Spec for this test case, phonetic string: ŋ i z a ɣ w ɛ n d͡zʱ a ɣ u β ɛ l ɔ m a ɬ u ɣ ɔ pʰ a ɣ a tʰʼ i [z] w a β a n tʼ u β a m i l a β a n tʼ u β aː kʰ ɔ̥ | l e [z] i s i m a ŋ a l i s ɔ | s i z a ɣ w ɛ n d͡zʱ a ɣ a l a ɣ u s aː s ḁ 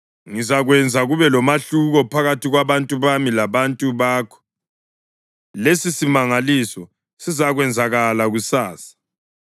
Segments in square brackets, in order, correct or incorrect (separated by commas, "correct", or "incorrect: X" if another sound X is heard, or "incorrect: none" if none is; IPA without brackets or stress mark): incorrect: ɣ, incorrect: s